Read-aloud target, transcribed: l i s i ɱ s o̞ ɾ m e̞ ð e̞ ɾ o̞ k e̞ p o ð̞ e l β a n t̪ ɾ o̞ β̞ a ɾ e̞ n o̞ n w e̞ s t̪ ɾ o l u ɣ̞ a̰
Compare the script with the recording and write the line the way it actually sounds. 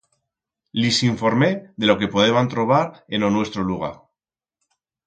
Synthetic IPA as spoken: l i s i ɱ f o̞ ɾ m e̞ ð e̞ l o̞ k e̞ p o ð̞ e β a n t̪ ɾ o̞ β̞ a ɾ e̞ n o̞ n w e̞ s t̪ ɾ o l u ɣ̞ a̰